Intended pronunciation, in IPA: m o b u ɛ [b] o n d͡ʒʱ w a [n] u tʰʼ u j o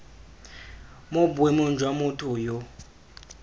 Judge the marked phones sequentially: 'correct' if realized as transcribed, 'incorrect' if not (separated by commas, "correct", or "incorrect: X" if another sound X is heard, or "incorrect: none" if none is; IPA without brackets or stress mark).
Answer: incorrect: m, incorrect: m